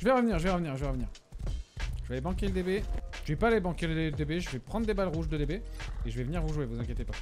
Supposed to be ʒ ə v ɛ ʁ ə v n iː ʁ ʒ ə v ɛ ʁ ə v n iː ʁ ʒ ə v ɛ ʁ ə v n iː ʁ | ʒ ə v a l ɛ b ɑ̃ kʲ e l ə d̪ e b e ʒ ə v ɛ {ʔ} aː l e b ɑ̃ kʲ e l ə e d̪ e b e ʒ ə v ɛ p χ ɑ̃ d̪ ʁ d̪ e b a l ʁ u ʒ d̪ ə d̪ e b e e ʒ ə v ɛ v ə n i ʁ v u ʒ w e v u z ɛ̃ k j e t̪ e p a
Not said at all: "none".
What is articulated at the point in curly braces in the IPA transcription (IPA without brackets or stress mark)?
p